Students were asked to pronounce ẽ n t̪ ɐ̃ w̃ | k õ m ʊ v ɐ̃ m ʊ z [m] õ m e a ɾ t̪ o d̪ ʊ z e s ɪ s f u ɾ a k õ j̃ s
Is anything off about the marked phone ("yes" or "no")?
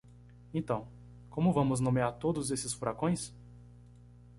yes